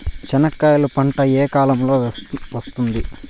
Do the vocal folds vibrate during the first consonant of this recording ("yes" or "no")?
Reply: no